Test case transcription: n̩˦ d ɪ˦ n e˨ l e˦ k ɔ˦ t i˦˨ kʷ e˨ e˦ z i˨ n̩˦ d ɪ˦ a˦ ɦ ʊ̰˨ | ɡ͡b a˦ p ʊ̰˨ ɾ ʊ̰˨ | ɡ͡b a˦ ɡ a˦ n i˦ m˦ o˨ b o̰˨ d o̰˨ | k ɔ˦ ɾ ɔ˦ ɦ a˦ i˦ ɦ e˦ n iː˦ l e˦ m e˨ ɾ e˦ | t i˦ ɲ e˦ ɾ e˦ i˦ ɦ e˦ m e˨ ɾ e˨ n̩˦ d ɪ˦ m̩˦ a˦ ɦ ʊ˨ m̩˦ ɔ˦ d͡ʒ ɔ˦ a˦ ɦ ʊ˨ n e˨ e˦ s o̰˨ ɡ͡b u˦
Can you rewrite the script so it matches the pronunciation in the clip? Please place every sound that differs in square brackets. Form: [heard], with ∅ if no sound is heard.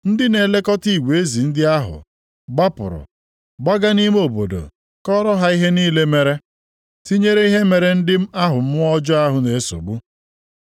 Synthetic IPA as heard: n̩˦ d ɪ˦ n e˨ l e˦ k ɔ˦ t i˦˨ [ɡʷ] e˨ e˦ z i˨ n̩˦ d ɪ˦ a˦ ɦ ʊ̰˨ | ɡ͡b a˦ p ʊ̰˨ ɾ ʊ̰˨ | ɡ͡b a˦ ɡ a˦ n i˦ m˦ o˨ b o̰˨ d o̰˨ | k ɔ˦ ɾ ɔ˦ ɦ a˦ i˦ ɦ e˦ n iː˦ l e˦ m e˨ ɾ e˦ | t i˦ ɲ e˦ ɾ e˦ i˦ ɦ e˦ m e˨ ɾ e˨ n̩˦ d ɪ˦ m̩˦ a˦ ɦ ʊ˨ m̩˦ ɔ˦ d͡ʒ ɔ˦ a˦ ɦ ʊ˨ n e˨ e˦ s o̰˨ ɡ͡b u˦